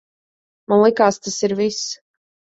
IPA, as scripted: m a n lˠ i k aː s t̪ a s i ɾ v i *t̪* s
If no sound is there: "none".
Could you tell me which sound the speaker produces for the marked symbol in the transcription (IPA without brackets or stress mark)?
none